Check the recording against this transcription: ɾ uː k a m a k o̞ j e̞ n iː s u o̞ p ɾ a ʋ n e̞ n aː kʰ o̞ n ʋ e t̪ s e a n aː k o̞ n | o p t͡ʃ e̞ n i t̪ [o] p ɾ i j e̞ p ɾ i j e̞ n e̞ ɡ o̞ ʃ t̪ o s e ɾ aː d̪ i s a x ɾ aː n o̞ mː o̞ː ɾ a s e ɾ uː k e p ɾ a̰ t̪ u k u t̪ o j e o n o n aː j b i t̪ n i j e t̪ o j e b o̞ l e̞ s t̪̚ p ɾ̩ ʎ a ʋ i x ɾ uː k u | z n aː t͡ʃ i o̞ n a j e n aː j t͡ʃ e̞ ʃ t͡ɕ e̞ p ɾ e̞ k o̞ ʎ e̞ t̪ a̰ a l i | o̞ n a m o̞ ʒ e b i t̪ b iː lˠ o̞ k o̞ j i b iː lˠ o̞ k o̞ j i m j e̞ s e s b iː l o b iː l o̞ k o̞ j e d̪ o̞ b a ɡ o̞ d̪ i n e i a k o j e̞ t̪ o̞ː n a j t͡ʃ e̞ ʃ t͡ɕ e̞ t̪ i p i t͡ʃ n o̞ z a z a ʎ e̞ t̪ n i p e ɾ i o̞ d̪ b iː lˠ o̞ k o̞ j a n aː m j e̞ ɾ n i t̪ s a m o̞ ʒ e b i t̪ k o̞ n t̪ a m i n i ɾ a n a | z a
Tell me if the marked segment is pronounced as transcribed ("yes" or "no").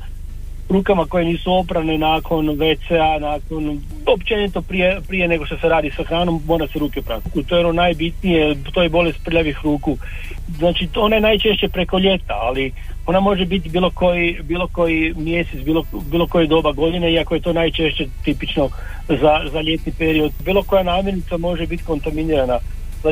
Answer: yes